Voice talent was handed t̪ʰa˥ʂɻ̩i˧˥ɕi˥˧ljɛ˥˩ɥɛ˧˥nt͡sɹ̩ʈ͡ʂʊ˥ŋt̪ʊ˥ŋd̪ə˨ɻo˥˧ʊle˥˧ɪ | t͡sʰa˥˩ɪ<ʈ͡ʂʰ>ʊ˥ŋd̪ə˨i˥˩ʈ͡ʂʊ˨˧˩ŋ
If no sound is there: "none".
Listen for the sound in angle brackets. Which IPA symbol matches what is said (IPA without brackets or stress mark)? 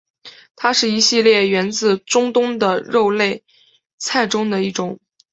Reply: ʈ͡ʂ